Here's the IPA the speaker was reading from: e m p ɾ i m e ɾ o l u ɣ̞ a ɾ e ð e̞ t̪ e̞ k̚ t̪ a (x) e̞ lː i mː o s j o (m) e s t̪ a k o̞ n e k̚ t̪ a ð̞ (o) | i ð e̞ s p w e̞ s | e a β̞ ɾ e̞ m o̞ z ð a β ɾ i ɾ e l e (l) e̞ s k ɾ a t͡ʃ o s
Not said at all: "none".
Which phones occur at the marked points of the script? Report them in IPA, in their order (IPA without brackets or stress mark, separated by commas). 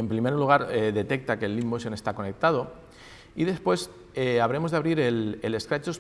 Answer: k, n, o, l